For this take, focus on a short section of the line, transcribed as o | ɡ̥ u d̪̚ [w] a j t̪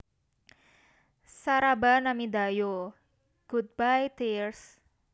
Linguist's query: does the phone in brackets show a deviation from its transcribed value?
yes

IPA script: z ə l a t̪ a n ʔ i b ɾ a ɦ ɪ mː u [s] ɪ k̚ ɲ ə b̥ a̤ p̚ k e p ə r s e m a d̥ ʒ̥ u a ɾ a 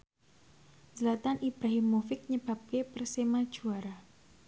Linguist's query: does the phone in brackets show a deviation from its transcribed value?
yes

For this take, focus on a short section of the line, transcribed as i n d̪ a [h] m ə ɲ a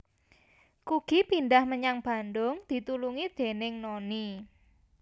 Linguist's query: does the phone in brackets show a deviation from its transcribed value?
no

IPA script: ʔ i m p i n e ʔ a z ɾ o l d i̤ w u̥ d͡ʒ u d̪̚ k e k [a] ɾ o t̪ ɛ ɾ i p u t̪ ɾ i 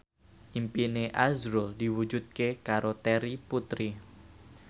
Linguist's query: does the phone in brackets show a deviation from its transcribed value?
no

